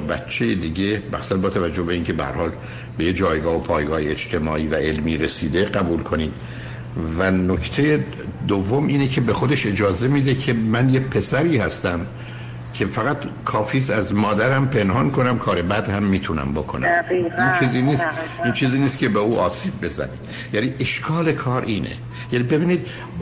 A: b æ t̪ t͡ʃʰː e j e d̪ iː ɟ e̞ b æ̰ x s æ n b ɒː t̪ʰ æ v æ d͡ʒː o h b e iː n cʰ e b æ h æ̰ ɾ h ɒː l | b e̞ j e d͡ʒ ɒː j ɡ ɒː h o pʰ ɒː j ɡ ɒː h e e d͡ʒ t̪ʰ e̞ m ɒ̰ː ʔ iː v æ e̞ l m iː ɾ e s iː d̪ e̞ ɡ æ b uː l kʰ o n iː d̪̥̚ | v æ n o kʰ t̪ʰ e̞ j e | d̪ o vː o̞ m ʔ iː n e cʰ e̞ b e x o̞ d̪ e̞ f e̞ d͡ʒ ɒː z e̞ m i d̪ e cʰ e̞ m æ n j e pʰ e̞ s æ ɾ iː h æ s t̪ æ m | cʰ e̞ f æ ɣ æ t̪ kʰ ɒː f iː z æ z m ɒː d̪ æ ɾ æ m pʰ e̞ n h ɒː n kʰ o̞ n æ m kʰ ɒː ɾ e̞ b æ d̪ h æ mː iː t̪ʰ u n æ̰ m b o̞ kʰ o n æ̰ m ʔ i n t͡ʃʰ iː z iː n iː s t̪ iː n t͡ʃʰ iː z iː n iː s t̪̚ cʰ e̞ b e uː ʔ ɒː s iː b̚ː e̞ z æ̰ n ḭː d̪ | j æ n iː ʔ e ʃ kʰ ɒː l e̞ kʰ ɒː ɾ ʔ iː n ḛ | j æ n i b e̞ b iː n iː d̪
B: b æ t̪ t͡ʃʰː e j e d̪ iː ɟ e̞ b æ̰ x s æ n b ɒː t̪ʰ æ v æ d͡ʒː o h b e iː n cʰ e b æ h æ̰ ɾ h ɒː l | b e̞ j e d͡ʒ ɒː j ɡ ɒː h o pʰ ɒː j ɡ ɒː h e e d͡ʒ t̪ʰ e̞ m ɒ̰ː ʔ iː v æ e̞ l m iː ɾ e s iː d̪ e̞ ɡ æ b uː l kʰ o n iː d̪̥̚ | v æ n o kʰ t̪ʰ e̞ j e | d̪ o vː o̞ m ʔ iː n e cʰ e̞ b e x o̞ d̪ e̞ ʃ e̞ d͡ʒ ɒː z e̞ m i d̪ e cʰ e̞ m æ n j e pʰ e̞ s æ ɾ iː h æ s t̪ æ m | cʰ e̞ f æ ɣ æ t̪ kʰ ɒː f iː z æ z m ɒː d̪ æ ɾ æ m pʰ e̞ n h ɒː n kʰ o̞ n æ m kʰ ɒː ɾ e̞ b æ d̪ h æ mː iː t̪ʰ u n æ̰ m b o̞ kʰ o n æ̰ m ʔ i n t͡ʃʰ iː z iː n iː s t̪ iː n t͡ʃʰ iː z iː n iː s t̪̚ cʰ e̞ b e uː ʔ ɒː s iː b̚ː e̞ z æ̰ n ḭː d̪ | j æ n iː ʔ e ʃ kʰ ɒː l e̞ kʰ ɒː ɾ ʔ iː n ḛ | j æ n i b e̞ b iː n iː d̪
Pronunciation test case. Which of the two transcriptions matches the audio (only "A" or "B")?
B